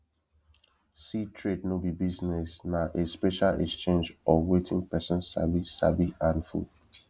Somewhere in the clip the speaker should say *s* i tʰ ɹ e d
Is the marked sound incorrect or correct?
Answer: correct